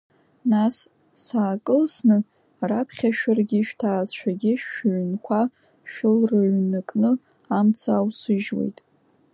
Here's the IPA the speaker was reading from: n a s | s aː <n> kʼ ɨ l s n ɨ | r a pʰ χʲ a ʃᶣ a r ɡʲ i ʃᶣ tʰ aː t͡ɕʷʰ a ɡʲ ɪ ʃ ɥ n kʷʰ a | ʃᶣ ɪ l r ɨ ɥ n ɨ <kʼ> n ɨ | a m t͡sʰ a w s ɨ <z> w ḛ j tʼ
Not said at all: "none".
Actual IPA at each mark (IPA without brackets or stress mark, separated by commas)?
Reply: none, kʼ, ʒ